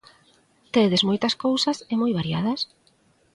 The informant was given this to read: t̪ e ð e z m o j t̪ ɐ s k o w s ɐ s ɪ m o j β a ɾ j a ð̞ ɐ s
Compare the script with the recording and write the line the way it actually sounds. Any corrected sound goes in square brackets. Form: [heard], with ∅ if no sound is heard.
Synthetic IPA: t̪ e ð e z m o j t̪ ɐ s k o w s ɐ s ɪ m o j β a ɾ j a ð̞ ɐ s

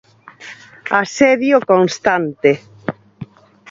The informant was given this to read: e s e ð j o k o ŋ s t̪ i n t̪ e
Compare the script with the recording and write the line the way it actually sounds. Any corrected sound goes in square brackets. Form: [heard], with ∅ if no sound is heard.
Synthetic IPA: [a] s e ð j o k o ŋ s t̪ [a] n t̪ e

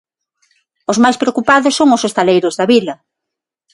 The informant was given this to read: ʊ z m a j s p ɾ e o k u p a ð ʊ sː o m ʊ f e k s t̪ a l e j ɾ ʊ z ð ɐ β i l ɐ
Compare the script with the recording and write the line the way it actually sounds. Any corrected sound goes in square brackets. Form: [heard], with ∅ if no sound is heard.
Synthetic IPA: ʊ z m a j s p ɾ e o k u p a ð ʊ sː o [ŋ] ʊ [s] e [∅] s t̪ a l e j ɾ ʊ z ð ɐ β i l ɐ

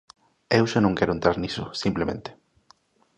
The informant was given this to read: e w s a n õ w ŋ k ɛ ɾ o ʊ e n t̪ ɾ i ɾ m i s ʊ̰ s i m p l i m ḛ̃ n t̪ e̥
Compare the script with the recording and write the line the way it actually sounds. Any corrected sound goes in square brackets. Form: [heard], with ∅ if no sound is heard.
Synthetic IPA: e w [ʃ] a n õ [∅] ŋ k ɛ ɾ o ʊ e n t̪ ɾ [a] ɾ [n] i s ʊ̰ s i m p l [e] m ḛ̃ n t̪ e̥

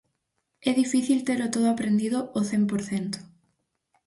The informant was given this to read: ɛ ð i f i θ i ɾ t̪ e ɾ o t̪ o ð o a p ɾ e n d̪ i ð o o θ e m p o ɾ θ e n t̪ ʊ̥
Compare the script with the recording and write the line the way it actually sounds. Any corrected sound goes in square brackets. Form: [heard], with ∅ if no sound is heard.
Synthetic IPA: ɛ ð i f i θ i [l] t̪ e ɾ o t̪ o ð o a p ɾ e n d̪ i ð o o θ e m p o ɾ θ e n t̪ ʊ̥

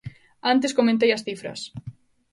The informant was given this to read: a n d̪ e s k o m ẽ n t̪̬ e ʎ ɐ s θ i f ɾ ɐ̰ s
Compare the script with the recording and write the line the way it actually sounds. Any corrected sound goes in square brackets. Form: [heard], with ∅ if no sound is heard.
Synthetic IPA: a n [t̪] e s k o m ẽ n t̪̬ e [j] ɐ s θ i f ɾ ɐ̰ s

